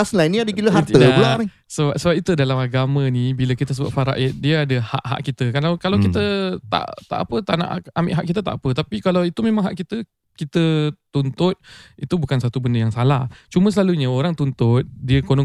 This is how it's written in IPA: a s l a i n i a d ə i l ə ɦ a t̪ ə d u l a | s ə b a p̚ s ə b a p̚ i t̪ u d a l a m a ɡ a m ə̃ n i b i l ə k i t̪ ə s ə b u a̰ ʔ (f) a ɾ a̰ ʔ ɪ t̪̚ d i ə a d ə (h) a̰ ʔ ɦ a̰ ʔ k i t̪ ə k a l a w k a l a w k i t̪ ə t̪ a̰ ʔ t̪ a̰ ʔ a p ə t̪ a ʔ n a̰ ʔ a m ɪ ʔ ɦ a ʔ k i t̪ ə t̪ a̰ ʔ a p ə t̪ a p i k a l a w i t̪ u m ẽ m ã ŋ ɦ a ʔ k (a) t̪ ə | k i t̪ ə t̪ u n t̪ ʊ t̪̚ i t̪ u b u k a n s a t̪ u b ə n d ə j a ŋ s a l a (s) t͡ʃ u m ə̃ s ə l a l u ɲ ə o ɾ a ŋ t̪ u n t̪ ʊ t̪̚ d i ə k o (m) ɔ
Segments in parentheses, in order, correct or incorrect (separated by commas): correct, correct, incorrect, incorrect, incorrect